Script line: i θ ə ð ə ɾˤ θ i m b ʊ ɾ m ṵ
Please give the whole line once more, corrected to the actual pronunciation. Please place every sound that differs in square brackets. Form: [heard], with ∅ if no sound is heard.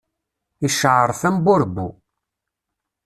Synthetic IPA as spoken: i [ʃ] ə [ʕ] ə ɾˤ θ [æ] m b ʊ ɾ [b] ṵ